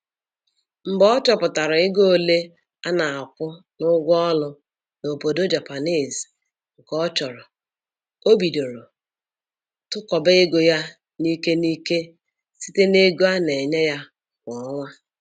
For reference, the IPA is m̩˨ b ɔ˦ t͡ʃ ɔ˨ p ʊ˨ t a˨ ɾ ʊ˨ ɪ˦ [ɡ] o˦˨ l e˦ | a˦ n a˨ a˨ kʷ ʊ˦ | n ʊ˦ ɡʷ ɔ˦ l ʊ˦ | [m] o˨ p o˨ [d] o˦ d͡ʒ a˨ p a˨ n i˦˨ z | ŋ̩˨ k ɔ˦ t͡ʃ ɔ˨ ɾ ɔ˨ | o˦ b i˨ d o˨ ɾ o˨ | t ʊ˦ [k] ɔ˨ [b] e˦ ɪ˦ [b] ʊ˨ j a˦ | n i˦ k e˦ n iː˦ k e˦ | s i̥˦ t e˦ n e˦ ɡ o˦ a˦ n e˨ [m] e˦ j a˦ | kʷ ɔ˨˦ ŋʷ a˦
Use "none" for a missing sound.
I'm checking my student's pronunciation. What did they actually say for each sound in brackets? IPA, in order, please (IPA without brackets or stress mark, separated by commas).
ɡ, n, d, k, b, ɡ, ɲ